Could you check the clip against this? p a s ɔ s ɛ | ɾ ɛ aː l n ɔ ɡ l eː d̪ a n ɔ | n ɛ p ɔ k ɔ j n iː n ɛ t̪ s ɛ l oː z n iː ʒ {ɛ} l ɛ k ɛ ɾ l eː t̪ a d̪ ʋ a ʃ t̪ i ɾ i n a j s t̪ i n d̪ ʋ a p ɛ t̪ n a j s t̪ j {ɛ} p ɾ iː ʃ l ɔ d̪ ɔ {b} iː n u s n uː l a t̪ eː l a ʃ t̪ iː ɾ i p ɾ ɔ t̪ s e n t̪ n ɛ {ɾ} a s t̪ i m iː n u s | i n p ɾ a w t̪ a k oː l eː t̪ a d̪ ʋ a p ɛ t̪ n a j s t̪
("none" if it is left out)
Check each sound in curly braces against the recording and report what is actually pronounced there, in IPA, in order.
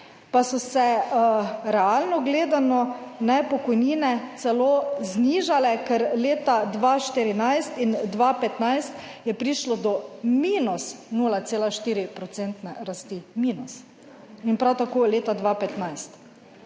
a, ɛ, m, ɾ

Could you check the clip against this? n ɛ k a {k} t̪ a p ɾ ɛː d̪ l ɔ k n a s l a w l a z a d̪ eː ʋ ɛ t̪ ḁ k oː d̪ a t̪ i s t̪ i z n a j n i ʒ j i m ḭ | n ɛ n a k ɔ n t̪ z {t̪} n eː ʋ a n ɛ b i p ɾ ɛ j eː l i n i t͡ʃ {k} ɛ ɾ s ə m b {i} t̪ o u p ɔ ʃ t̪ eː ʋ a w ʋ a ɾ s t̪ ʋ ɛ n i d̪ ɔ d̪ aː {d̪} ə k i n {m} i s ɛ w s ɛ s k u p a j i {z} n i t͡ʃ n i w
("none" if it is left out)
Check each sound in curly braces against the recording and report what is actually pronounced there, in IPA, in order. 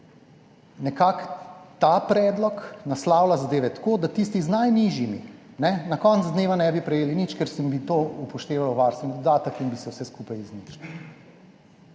k, d̪, k, i, t̪, b, z

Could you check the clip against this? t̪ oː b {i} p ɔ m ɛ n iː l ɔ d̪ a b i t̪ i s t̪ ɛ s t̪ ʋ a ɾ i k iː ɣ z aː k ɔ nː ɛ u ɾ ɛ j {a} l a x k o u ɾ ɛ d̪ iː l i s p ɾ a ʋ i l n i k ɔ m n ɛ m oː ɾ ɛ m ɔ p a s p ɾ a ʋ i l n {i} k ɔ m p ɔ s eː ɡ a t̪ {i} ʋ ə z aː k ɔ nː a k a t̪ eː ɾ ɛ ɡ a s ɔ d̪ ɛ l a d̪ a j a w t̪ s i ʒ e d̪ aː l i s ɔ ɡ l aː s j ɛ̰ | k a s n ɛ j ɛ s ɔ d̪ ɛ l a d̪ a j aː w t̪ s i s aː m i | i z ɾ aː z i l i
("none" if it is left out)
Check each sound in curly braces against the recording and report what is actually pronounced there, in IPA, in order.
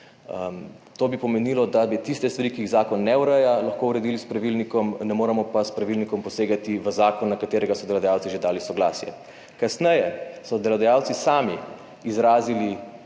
i, a, i, i

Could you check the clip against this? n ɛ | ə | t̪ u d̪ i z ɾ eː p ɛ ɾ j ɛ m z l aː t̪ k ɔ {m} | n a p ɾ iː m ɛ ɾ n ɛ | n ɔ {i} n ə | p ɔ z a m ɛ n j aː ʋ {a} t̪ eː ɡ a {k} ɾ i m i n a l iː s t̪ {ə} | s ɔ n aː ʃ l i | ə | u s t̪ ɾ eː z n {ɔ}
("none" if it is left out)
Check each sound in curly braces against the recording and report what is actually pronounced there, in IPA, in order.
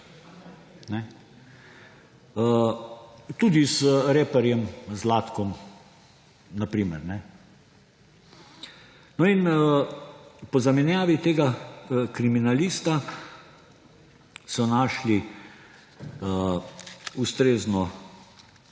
m, i, i, k, a, ɔ

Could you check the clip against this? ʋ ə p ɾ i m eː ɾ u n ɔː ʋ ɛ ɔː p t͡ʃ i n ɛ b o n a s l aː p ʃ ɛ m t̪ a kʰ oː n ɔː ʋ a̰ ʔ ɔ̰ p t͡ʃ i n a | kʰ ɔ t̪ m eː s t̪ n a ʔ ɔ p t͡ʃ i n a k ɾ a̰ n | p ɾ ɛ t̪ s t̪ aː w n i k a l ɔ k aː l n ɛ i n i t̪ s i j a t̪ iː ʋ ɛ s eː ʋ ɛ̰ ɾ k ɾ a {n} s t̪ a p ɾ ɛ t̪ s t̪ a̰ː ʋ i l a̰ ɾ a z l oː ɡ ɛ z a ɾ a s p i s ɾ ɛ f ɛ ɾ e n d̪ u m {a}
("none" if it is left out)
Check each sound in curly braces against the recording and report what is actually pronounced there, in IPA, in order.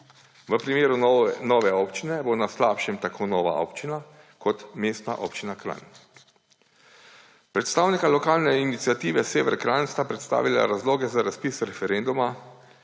n, a

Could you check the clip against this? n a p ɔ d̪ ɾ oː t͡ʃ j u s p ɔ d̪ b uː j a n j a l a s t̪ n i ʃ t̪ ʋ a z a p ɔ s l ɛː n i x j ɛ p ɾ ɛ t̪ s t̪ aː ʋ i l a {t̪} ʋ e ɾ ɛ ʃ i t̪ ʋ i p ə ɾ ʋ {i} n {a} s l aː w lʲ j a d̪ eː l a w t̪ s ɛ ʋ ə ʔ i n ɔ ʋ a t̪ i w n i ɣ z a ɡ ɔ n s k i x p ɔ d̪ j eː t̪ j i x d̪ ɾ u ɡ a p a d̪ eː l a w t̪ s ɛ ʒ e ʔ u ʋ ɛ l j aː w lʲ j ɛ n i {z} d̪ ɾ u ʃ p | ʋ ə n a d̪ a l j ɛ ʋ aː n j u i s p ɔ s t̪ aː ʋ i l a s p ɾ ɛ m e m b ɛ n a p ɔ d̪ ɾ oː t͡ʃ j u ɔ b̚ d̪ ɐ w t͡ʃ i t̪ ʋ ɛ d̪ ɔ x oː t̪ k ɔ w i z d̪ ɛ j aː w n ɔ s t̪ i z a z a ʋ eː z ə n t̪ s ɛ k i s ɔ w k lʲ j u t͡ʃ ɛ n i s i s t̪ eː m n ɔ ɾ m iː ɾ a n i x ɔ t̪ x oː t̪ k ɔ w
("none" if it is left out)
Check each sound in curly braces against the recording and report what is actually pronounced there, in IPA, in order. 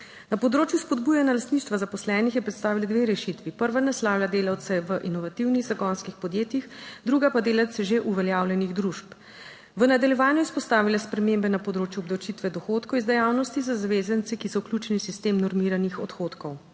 d̪, a, ɛ, ɣ

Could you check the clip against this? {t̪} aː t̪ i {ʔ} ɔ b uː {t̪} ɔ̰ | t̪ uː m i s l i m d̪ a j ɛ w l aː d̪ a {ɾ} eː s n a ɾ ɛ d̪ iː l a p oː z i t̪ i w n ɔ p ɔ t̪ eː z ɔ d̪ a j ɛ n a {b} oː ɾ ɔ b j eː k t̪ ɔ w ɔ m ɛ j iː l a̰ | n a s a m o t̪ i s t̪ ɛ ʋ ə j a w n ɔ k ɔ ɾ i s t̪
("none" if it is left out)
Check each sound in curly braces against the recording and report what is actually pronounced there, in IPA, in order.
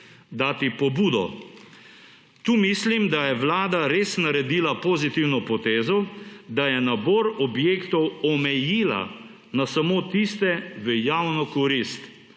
d̪, p, d̪, ɾ, b

